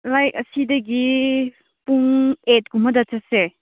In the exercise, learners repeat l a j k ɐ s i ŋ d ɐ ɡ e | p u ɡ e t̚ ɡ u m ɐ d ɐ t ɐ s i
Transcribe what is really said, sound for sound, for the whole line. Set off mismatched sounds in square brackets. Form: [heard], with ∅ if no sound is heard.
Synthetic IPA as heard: l a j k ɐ s i [∅] d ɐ ɡ [i] | p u [ŋ] e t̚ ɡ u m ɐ d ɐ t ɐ s [e]